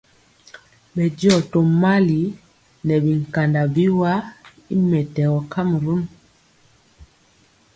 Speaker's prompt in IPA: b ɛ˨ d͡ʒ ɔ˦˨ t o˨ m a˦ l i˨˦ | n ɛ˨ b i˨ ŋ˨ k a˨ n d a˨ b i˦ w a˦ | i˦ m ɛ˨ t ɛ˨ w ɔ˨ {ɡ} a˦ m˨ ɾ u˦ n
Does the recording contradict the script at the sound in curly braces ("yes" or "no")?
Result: yes